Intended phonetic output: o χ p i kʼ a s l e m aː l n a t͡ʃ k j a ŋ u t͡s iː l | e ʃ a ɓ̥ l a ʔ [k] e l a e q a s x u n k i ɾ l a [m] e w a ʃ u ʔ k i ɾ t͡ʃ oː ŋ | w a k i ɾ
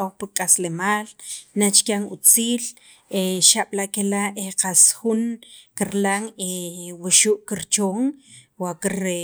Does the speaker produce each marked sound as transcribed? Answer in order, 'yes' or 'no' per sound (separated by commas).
yes, no